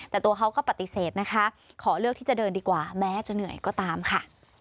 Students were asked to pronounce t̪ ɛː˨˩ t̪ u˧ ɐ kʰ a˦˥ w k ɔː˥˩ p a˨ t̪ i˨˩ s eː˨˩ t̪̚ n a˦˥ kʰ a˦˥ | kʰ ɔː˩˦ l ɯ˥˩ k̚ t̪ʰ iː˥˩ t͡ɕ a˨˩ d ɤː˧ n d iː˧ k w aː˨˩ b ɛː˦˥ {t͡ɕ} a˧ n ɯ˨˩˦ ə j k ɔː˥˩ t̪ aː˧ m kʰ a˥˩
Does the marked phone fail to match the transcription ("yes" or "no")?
no